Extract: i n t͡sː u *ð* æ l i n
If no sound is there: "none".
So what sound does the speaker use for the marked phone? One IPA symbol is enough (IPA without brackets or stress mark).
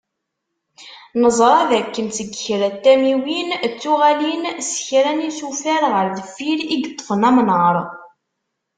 ʁ